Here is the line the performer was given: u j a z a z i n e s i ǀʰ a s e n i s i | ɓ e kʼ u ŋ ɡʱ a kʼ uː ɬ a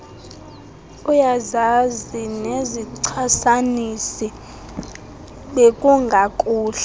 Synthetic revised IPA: u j a z a z i n e z i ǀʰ a s a n i s i | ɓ e kʼ u ŋ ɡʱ a kʼ uː ɬ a